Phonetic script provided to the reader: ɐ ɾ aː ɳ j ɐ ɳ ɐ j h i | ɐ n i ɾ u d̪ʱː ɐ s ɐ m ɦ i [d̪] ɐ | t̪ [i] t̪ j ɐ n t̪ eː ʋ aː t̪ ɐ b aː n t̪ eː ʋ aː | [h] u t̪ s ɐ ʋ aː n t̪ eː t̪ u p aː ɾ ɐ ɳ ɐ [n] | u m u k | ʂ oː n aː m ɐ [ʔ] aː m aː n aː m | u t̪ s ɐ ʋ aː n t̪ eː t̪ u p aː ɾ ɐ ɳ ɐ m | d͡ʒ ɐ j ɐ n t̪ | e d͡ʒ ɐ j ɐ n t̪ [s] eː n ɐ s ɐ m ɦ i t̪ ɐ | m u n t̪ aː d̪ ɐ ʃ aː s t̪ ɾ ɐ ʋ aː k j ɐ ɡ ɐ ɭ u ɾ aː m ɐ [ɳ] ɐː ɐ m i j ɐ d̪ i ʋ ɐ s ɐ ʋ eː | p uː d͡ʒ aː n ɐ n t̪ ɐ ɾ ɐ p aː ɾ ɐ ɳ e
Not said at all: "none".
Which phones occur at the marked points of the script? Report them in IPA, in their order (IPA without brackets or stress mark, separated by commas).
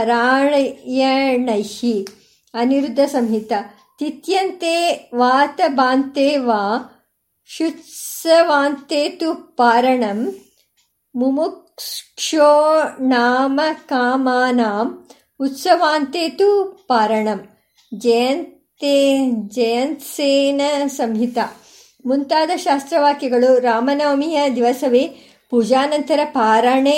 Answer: t̪, i, ʃ, m, k, s, n